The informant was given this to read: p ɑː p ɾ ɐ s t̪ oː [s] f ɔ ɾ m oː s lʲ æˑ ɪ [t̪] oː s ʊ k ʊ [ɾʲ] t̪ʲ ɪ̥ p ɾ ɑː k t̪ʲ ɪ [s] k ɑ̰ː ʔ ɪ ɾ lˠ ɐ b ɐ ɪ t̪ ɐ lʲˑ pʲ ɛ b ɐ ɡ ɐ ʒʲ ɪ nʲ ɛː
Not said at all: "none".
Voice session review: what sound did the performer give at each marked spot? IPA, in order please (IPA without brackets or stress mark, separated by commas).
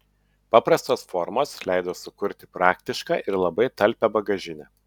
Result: s, d̪, ɾʲ, ʃ